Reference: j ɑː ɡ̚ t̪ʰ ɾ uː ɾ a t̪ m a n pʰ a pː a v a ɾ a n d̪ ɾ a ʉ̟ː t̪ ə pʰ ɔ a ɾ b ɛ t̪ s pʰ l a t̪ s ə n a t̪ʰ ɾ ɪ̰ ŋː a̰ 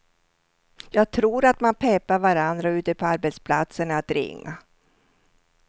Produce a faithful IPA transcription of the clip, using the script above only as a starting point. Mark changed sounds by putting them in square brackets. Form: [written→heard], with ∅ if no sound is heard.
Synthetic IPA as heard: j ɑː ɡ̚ t̪ʰ ɾ uː ɾ a t̪ m a n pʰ [a→ɛ] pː a v a ɾ a n d̪ ɾ a ʉ̟ː t̪ ə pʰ ɔ a ɾ b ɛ t̪ s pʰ l a t̪ s ə n a [t̪ʰ→t̪] ɾ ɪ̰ ŋː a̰